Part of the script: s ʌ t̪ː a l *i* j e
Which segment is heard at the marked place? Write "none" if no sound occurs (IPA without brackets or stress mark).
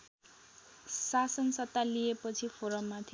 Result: i